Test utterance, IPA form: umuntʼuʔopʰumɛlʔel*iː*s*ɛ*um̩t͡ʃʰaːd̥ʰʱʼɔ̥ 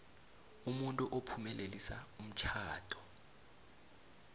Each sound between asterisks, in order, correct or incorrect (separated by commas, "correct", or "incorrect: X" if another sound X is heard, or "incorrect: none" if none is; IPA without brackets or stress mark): incorrect: i, incorrect: a